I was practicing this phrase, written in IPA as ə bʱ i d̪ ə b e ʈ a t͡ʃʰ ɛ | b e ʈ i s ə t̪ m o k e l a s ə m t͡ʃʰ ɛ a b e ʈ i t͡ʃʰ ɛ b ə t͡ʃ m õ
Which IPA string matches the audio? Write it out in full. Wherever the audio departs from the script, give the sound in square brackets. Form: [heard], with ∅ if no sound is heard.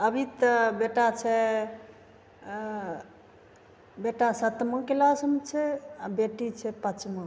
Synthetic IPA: ə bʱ i [t̪] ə b e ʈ a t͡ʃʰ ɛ | b e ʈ [a] s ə t̪ m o k e l a s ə m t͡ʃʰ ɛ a b e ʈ i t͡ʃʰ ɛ [p] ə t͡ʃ m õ